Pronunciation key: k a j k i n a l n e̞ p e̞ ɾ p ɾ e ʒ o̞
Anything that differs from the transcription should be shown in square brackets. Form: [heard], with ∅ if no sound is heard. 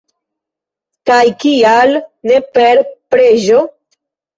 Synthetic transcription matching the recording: k a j k i [∅] a l n e̞ p e̞ ɾ p ɾ e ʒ o̞